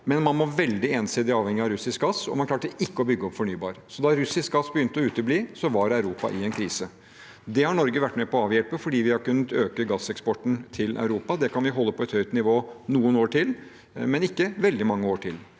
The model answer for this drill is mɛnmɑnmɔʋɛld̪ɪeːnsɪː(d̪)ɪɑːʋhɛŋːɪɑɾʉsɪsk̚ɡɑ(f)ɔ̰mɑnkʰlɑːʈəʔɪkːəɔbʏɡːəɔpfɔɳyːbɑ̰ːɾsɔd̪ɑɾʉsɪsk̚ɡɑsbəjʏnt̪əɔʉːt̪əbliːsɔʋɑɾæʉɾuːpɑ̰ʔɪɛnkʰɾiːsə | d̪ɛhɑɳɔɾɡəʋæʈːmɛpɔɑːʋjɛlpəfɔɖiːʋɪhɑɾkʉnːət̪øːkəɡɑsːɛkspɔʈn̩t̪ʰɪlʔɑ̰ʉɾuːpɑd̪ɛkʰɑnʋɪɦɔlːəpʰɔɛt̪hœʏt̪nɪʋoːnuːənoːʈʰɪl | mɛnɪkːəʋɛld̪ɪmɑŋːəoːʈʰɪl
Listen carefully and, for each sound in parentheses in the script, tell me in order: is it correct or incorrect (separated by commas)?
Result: correct, incorrect